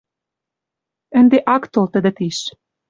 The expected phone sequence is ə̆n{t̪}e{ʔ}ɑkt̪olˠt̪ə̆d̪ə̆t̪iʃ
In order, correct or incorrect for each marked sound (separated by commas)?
incorrect, correct